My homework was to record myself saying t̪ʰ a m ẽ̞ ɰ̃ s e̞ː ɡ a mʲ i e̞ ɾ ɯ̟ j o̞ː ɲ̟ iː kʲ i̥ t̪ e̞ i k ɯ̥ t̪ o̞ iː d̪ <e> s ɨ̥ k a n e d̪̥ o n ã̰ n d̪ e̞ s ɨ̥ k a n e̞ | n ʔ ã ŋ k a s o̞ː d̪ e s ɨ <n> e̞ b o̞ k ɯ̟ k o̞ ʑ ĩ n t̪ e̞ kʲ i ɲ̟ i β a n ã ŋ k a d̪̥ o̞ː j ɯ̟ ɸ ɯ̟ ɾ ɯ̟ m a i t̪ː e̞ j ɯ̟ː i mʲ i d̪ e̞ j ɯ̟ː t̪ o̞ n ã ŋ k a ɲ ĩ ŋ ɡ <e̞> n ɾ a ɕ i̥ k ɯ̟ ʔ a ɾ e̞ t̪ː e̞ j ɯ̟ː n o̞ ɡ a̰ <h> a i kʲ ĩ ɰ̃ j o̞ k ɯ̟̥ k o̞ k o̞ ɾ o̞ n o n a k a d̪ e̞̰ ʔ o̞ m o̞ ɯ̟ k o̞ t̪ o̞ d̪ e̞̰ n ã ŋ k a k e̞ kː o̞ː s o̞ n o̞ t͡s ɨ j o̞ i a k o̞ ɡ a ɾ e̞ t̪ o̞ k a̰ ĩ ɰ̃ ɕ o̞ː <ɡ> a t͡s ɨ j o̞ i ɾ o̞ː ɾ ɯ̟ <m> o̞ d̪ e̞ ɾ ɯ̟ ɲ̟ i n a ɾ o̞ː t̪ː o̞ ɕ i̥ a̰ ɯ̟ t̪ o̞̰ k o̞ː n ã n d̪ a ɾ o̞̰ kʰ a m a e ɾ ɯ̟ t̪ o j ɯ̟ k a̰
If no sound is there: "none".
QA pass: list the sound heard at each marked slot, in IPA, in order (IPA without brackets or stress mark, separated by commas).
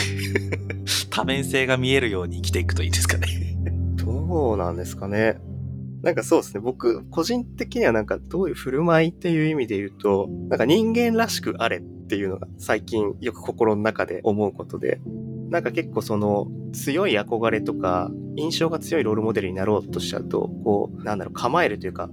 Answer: e, n, ẽ̞, s, ɡ, m